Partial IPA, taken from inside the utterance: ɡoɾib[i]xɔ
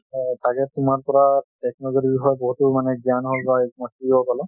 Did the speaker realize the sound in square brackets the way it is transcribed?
yes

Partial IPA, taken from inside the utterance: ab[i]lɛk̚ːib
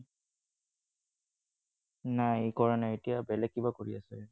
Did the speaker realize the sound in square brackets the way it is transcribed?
no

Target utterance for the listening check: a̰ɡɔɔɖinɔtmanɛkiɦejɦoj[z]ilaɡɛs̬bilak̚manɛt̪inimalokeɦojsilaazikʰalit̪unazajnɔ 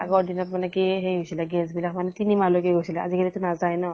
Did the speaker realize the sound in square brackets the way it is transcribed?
no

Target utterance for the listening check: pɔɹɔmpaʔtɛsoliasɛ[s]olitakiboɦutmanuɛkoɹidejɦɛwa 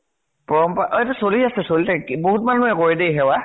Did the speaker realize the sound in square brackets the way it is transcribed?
yes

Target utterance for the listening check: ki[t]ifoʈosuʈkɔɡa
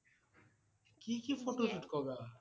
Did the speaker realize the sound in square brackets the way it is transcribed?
no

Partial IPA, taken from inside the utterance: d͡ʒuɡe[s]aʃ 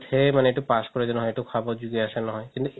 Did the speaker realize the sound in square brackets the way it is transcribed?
no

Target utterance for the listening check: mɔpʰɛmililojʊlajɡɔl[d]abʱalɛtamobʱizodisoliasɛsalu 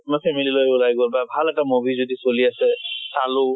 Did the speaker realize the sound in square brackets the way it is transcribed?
no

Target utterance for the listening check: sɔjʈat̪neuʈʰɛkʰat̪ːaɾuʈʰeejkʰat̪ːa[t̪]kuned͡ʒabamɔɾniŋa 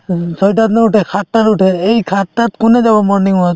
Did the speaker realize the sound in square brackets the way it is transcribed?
yes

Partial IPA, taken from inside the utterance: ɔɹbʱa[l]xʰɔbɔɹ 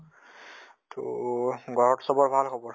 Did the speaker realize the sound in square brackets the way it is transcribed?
yes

